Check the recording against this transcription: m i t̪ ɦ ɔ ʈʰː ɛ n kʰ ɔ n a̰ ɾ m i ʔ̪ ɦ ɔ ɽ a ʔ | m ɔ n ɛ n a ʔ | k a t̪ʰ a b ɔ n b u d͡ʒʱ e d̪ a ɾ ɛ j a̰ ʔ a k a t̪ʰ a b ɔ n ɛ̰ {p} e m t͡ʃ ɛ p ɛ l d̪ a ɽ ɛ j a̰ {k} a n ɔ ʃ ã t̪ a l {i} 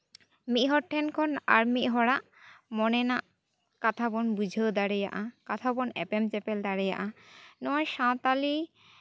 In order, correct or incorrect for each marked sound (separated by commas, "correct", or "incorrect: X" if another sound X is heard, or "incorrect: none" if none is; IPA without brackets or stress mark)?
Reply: correct, incorrect: ʔ, correct